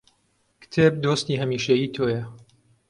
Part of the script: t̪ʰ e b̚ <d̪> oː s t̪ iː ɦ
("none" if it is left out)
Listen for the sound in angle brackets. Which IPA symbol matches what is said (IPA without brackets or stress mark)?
d̪